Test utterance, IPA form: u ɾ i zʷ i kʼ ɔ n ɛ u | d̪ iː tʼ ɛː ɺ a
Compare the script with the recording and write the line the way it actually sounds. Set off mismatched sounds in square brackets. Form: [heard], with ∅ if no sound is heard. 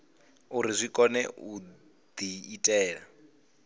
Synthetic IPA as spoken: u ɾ i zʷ i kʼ ɔ n ɛ u | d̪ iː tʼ ɛː ɺ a